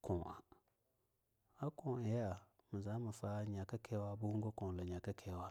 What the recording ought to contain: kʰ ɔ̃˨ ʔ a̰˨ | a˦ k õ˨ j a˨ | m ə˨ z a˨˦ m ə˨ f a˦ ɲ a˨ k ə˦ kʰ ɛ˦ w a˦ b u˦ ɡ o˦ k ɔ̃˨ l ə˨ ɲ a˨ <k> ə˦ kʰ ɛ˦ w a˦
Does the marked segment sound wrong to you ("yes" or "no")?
no